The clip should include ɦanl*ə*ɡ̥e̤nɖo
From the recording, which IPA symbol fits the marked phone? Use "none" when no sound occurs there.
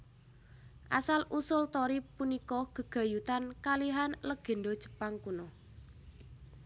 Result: ə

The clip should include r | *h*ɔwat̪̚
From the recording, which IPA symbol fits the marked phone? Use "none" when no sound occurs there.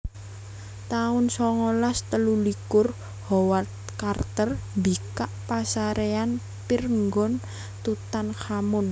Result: h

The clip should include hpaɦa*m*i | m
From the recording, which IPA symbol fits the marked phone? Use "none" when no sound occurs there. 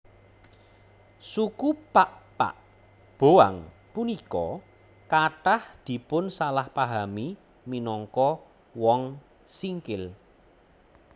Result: m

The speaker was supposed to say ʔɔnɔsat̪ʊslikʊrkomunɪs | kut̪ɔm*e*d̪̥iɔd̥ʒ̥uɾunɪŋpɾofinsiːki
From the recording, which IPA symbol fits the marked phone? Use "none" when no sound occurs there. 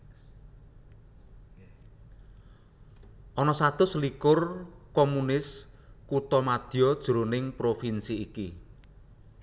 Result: a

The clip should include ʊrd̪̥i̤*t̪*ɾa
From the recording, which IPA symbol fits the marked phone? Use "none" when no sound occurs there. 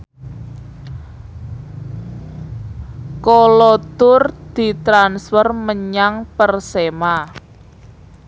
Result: t̪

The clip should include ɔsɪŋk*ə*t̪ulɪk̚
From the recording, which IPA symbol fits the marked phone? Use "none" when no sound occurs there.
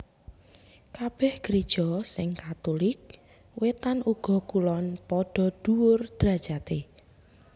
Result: a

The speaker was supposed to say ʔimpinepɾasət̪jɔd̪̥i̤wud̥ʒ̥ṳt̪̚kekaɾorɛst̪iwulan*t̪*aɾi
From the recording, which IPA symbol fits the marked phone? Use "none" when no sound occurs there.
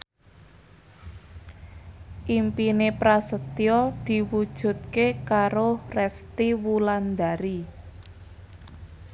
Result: d̪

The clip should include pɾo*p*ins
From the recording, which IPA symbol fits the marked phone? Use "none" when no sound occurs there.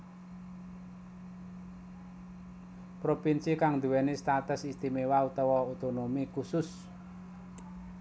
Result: p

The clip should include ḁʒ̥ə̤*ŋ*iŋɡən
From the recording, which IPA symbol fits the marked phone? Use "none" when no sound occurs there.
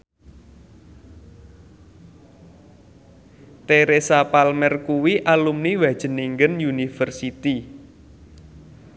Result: n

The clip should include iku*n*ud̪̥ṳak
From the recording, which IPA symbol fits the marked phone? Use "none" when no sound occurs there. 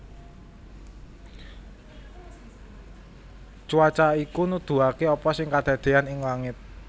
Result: n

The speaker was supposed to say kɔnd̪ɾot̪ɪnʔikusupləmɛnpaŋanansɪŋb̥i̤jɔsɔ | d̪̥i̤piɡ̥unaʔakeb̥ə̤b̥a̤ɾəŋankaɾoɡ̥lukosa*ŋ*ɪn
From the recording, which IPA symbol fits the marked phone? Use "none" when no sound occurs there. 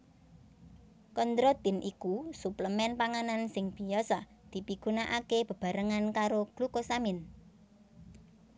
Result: m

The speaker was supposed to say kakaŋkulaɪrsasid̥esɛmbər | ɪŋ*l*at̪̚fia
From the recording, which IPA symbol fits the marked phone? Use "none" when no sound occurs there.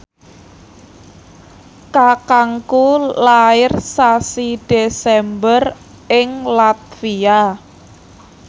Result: l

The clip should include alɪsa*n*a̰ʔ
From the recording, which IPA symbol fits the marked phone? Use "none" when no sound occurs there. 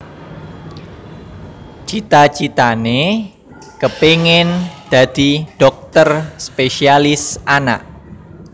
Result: n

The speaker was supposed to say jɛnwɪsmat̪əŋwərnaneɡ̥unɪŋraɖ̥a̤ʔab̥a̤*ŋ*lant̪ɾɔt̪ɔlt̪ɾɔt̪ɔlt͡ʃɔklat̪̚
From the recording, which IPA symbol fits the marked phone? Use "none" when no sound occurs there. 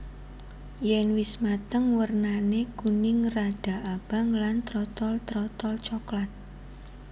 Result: ŋ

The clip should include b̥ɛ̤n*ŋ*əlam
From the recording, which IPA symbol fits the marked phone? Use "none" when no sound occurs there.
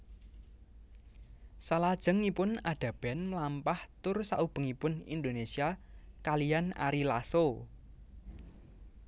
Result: m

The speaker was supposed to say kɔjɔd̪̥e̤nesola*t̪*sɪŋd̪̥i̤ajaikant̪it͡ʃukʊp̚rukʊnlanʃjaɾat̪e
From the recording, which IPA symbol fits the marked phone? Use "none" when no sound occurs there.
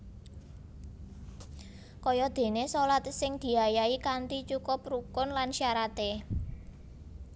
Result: t̪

